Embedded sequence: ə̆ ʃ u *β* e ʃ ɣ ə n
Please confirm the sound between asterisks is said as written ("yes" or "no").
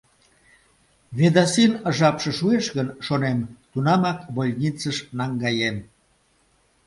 no